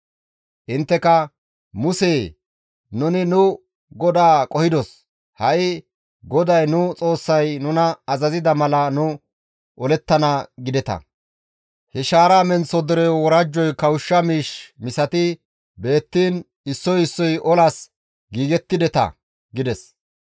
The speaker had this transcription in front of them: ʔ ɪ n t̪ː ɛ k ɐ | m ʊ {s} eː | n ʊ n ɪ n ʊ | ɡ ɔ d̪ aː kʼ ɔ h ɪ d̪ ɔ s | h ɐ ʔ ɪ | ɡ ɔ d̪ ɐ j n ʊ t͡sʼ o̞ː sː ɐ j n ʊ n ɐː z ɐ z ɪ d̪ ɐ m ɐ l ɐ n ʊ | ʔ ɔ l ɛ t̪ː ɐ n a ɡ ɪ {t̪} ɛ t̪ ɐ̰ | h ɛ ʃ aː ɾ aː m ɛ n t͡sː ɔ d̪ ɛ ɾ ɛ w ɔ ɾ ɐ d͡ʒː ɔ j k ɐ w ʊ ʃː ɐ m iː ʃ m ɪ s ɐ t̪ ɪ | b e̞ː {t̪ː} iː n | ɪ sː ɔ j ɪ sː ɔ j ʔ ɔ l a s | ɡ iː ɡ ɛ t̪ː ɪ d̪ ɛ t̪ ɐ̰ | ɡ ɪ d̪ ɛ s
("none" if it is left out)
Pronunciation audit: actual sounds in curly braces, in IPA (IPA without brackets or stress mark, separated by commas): s, d̪, t̪ː